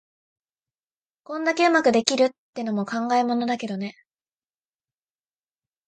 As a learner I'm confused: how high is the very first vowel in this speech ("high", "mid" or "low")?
mid